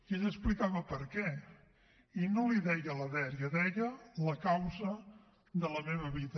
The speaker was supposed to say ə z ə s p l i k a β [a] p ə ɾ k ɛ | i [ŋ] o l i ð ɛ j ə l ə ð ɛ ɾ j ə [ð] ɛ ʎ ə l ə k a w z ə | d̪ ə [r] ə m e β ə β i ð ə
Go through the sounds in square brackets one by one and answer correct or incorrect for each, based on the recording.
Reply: incorrect: ə, incorrect: n, correct, incorrect: l

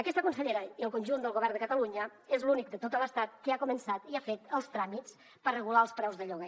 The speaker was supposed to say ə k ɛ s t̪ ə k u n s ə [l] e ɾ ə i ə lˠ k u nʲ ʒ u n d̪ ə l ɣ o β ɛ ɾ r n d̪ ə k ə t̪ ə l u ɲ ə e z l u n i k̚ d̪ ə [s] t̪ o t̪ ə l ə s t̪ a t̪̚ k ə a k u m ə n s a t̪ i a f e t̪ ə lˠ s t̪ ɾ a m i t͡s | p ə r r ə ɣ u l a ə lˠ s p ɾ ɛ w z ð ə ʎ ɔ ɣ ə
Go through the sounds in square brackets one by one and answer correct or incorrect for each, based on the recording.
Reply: incorrect: ʎ, incorrect: none

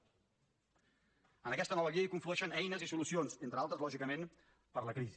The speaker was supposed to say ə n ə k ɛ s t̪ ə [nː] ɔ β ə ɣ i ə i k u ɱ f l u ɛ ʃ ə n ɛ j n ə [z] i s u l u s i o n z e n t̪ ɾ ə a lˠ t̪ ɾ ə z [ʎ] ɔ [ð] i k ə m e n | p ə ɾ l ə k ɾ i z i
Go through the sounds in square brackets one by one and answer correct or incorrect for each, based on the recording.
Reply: incorrect: n, correct, incorrect: l, incorrect: ʒ

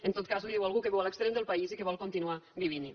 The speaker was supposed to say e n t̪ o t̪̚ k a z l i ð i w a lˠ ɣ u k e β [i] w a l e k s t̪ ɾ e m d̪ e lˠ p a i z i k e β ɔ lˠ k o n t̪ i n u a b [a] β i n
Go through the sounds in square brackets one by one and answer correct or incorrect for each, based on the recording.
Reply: incorrect: ɛ, incorrect: i

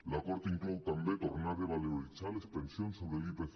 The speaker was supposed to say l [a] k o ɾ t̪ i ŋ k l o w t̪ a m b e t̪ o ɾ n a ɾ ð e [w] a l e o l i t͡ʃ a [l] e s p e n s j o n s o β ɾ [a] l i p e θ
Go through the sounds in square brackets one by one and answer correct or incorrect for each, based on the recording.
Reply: correct, incorrect: β, correct, incorrect: e

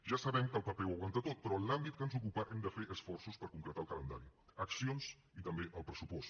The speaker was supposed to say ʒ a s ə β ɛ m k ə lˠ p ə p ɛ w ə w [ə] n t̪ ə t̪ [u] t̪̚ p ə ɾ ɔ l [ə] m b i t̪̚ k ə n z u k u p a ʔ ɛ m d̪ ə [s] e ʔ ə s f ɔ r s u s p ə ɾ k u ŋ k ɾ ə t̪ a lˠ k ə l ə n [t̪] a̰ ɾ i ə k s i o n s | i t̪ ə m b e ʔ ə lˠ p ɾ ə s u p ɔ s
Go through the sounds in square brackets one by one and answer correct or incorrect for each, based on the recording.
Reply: incorrect: a, incorrect: o, incorrect: a, incorrect: f, incorrect: d̪

